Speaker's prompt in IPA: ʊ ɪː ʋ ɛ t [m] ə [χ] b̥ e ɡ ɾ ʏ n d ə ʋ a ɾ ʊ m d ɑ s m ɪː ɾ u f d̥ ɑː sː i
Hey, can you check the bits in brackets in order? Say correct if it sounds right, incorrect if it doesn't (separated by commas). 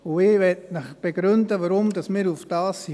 incorrect, correct